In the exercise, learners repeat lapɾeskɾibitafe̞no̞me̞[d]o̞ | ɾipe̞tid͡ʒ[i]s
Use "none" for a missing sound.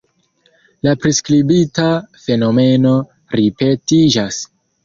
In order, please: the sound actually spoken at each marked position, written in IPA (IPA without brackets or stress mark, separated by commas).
n, a